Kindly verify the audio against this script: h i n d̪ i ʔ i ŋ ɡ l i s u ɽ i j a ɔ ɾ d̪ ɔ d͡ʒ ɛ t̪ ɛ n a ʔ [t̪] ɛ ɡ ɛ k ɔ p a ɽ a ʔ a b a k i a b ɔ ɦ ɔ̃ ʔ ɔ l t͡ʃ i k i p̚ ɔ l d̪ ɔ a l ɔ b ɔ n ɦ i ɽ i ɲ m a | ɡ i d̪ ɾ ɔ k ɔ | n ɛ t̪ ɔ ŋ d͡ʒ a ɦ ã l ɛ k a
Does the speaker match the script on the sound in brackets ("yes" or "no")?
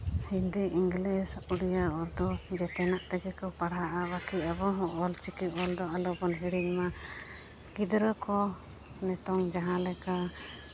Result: yes